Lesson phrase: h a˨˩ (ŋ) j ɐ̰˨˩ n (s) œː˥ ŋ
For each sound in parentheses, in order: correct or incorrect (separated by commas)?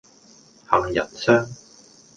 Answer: correct, correct